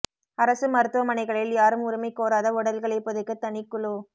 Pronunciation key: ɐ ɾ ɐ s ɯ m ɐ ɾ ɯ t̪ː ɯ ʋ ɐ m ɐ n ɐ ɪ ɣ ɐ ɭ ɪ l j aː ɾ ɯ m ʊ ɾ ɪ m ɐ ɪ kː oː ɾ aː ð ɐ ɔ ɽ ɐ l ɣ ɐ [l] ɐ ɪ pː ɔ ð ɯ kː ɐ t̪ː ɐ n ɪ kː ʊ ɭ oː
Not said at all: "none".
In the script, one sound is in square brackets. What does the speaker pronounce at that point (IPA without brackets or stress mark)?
ɭ